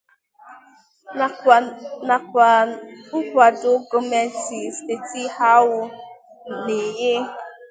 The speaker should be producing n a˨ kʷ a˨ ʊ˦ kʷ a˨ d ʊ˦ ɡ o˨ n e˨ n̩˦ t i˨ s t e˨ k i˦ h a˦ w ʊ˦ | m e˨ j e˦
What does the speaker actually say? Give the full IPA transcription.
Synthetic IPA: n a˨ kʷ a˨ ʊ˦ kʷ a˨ d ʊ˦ ɡ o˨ m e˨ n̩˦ t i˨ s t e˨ t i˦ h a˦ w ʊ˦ | n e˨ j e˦